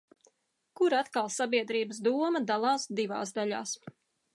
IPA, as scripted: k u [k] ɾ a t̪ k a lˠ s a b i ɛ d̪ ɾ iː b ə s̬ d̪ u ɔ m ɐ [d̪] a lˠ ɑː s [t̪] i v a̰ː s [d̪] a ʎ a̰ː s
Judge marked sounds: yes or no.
no, yes, no, yes

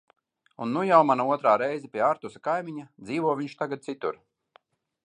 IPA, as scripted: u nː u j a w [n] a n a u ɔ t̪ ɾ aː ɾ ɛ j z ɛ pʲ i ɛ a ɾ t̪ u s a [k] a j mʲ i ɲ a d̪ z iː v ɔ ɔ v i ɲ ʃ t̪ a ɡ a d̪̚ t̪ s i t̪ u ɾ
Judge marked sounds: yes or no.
no, yes

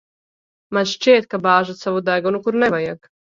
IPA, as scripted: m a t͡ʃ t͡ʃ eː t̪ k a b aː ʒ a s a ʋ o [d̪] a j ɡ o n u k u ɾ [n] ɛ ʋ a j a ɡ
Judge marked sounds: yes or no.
yes, yes

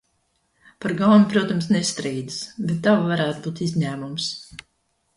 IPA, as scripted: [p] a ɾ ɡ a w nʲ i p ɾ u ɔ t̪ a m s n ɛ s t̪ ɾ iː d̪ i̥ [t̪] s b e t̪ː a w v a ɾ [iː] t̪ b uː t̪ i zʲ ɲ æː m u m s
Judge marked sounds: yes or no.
yes, no, no

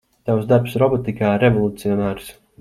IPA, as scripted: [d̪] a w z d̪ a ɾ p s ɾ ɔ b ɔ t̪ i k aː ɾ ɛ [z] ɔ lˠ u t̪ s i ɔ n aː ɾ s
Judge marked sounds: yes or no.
no, no

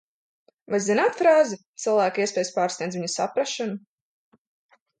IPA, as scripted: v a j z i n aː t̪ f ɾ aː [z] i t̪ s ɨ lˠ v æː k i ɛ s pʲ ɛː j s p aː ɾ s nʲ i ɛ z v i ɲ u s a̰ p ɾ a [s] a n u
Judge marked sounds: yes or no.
yes, no

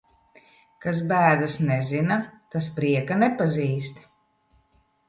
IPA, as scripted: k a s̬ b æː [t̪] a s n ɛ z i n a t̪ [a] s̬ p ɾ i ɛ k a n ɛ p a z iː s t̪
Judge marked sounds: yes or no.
no, yes

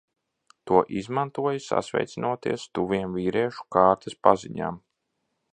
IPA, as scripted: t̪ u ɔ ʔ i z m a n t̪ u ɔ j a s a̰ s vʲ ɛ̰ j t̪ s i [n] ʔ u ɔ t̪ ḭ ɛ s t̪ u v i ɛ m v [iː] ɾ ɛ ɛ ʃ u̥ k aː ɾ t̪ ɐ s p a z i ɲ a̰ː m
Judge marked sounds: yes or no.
yes, yes

